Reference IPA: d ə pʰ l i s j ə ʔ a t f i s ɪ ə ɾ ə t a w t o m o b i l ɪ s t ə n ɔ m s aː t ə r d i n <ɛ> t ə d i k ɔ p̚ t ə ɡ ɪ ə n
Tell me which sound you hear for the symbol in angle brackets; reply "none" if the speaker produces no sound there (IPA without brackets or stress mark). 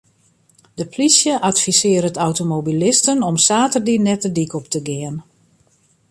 ɛ